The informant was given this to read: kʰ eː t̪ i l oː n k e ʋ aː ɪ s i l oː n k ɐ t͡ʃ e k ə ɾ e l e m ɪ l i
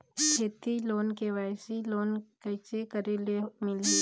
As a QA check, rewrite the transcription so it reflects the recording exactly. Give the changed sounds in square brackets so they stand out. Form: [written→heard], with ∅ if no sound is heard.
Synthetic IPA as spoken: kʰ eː t̪ i l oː n k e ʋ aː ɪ s i l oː n k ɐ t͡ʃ e k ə ɾ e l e m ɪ l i